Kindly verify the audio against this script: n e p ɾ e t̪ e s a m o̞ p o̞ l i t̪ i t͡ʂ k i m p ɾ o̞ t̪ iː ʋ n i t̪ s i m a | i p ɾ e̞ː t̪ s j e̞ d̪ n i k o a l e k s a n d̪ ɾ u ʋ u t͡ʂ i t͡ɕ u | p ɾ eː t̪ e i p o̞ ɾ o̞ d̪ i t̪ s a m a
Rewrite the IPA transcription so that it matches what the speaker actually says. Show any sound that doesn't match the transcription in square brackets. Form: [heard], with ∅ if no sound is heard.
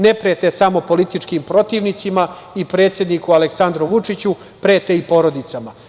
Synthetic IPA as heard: n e p ɾ e t̪ e s a m o̞ p o̞ l i t̪ i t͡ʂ k i m p ɾ o̞ t̪ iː ʋ n i t̪ s i m a | i p ɾ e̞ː t̪ s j e̞ d̪ n i k [u] a l e k s a n d̪ ɾ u ʋ u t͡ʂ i t͡ɕ u | p ɾ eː t̪ e i p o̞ ɾ o̞ d̪ i t̪ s a m a